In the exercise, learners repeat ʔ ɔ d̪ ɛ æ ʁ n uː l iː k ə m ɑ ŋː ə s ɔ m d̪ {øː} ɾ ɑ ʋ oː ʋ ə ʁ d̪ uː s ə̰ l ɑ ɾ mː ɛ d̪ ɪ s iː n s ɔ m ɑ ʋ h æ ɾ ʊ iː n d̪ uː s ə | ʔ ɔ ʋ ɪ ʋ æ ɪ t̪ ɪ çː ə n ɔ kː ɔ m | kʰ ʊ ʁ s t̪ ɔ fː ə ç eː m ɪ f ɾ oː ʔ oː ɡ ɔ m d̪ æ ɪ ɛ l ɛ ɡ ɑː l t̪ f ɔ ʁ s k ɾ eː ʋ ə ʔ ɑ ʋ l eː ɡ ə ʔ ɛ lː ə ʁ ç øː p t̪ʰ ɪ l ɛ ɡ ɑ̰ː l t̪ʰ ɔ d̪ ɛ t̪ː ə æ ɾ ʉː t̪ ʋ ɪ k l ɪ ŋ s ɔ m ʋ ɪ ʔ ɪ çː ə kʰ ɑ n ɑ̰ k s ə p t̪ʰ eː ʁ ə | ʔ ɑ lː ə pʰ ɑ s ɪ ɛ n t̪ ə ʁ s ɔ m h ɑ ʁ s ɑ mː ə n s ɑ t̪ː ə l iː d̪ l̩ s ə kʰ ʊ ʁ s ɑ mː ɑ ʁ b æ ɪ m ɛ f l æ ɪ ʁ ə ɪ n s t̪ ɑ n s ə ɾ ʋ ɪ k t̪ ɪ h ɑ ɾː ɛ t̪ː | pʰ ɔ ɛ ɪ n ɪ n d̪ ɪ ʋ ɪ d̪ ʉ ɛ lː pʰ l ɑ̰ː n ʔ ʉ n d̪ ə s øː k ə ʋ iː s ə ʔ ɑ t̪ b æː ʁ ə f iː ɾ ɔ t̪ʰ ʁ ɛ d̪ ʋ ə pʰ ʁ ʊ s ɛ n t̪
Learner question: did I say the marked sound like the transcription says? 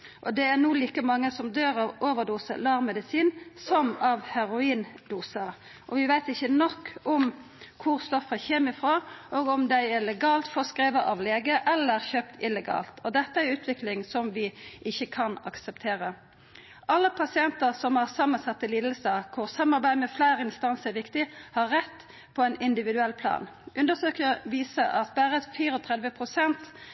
yes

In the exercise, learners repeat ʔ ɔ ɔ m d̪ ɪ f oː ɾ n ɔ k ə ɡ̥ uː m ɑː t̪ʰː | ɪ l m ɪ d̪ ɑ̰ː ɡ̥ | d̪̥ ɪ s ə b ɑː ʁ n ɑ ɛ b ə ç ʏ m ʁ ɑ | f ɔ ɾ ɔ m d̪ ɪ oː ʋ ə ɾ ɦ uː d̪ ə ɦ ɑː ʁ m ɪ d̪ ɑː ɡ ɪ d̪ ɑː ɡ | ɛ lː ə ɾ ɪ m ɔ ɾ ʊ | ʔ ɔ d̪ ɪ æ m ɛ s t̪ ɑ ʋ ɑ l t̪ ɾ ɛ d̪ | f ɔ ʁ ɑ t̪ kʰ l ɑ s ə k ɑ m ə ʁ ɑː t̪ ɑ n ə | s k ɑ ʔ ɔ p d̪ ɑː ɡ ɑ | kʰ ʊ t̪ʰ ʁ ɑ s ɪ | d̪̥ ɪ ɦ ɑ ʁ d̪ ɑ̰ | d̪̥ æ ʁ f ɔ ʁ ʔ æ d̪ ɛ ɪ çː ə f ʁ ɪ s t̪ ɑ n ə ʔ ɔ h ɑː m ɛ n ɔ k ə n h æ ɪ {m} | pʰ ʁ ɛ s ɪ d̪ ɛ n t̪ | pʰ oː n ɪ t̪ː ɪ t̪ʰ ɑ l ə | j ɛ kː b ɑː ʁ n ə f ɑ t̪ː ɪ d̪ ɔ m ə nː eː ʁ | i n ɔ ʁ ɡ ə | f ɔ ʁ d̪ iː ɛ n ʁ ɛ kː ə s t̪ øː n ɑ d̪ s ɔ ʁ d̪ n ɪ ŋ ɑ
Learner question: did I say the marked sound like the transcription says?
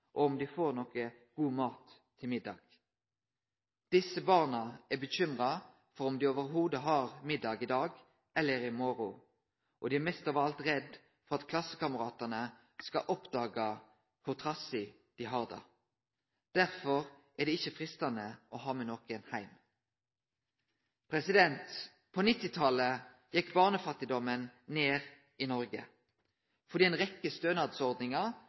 yes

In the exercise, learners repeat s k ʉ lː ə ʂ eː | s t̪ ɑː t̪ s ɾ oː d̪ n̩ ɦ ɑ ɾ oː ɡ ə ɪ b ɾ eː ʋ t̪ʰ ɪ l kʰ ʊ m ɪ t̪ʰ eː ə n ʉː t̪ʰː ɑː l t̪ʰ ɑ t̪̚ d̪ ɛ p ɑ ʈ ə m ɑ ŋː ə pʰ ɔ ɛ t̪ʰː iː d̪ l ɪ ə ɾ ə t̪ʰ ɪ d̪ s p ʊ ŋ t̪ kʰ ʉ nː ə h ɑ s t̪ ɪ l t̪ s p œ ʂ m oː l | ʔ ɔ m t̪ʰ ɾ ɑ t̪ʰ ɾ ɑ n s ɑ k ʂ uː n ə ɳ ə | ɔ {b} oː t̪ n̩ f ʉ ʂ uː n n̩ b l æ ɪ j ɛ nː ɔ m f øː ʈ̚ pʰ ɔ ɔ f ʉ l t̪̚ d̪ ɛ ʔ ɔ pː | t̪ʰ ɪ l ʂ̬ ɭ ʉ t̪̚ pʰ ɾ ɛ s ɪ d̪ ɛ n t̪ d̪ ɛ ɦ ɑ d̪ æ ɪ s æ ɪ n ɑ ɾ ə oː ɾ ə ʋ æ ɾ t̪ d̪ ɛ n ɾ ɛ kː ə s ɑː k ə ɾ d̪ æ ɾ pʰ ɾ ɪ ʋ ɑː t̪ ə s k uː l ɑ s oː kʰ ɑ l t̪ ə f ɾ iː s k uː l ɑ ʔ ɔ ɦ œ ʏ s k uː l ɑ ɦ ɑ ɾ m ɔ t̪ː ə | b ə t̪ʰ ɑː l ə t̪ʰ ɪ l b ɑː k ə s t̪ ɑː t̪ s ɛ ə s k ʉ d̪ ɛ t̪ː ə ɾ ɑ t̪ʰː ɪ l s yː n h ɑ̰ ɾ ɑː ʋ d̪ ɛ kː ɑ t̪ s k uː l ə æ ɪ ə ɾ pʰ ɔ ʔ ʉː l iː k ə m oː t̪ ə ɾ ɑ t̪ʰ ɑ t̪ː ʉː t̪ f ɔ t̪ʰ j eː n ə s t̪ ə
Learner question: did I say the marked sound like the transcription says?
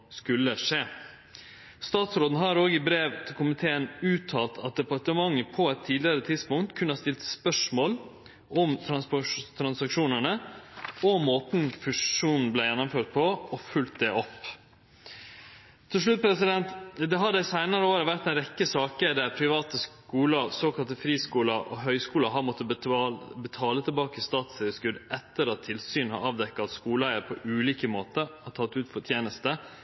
no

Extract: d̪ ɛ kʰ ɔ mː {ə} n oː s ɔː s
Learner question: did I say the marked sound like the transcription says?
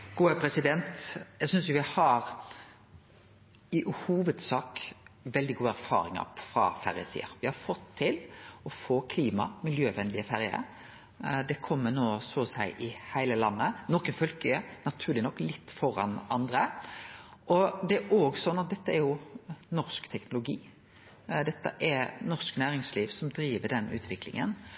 yes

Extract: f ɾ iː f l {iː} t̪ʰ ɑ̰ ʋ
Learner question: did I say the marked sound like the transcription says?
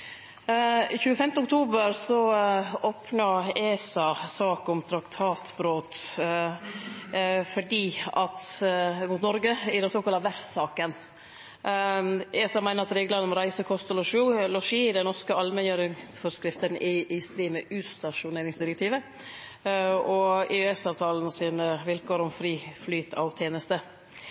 no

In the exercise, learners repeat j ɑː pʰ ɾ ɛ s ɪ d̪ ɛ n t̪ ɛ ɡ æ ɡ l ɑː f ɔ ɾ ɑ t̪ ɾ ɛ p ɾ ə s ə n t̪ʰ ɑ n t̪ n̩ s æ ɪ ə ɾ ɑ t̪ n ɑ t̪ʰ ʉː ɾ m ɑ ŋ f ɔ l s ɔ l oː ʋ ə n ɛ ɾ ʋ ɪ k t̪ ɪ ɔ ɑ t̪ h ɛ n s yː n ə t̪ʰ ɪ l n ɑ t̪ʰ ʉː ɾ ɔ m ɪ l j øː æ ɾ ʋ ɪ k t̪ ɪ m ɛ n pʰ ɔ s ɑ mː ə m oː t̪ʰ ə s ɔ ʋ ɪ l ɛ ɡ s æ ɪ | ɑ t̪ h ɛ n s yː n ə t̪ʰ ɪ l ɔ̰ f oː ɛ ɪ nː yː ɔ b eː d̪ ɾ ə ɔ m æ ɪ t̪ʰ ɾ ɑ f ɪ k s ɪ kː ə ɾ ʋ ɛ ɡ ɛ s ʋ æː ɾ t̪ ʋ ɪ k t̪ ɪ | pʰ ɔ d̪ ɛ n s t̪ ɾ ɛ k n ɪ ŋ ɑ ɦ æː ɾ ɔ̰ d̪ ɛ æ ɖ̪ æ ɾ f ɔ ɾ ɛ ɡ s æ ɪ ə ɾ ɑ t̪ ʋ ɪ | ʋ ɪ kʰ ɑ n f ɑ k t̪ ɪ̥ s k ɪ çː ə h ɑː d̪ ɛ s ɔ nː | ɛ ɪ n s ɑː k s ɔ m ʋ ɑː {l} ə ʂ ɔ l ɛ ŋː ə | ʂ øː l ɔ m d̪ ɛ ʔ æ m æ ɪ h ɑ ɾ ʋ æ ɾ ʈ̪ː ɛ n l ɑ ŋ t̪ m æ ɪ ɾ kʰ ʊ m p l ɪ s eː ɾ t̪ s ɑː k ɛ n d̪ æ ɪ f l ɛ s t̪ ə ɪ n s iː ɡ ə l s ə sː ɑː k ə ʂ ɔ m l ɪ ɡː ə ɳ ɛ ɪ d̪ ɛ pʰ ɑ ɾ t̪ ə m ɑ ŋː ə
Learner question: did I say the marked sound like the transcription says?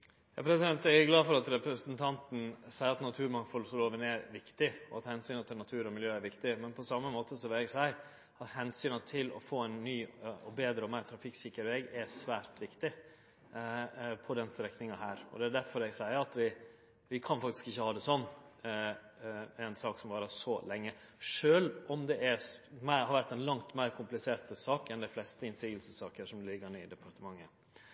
no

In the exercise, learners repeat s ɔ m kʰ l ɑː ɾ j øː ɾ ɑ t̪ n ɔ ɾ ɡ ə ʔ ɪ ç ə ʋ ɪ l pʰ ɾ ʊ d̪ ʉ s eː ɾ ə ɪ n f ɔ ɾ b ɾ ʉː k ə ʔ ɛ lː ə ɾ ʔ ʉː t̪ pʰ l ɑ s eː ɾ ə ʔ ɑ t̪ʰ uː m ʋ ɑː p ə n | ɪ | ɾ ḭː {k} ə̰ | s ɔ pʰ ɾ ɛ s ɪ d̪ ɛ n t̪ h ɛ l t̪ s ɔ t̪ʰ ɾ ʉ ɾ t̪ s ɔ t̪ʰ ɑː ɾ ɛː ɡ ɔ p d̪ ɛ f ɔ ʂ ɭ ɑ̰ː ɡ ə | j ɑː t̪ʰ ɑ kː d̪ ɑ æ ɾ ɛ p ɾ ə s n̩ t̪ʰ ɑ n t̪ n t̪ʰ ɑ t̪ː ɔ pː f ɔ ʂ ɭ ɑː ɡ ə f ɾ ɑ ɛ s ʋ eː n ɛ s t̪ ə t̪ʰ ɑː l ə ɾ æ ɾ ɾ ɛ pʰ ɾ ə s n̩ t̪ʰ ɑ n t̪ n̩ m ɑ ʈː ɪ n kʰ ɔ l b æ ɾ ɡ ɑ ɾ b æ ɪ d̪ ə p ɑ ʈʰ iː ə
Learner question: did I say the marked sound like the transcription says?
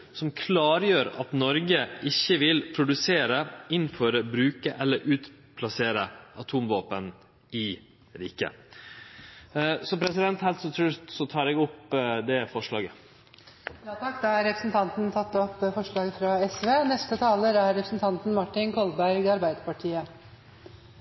yes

